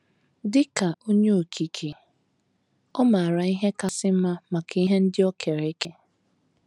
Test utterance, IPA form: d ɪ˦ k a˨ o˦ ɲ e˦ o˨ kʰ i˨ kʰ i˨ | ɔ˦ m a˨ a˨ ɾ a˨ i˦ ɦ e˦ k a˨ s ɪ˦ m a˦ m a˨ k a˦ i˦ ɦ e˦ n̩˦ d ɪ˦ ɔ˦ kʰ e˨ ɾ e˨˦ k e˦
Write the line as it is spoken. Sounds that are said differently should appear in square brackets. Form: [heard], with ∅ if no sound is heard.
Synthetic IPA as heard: d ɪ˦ k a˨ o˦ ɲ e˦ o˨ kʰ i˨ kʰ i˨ | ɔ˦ m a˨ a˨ ɾ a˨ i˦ ɦ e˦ k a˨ s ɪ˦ m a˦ m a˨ k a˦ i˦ ɦ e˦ n̩˦ d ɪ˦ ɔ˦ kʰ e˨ ɾ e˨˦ k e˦

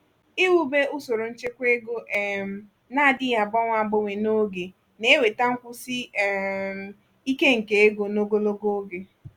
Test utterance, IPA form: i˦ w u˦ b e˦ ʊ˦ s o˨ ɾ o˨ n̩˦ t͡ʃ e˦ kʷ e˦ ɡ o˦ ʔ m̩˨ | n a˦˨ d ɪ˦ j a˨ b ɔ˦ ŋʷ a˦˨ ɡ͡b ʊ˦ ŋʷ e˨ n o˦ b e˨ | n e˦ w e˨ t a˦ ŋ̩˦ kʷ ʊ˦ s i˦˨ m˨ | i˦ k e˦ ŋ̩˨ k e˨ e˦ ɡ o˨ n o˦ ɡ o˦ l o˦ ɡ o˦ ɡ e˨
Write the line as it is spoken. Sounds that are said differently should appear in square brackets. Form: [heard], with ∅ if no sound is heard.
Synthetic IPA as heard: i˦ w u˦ b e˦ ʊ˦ s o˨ ɾ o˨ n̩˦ t͡ʃ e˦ kʷ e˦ ɡ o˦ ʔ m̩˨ | n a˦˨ d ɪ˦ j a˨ b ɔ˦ ŋʷ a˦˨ ɡ͡b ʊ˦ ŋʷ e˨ n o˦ [ɡ] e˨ | n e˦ w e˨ t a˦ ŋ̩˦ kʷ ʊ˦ s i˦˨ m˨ | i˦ k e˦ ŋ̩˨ k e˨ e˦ ɡ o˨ n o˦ ɡ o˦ l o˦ ɡ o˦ ɡ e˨

